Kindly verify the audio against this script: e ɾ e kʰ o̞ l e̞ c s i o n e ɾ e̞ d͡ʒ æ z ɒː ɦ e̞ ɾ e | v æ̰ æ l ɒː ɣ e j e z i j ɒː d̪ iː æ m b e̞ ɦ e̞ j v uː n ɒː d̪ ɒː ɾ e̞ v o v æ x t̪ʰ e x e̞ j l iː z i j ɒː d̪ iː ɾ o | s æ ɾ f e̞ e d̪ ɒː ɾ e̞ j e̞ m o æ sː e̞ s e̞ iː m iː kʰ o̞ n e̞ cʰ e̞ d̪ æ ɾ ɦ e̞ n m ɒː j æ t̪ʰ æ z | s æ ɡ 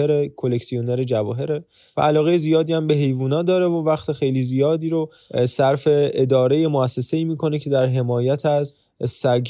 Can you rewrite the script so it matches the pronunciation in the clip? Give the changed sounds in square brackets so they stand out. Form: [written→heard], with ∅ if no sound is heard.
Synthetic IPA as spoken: e ɾ e kʰ o̞ l e̞ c s i o n e ɾ e̞ d͡ʒ æ [z→v] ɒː ɦ e̞ ɾ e | v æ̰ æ l ɒː ɣ e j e z i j ɒː d̪ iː æ m b e̞ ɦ e̞ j v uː n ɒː d̪ ɒː ɾ e̞ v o v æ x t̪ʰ e x e̞ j l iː z i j ɒː d̪ iː ɾ o | s æ ɾ f e̞ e d̪ ɒː ɾ e̞ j e̞ m o æ sː e̞ s e̞ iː m iː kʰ o̞ n e̞ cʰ e̞ d̪ æ ɾ ɦ e̞ [n→∅] m ɒː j æ t̪ʰ æ z | s æ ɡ